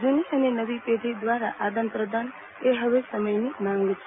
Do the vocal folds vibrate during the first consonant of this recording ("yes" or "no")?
yes